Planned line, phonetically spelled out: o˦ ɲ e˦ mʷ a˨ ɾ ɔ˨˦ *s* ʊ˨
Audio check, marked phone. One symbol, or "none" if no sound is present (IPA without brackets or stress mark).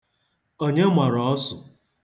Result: s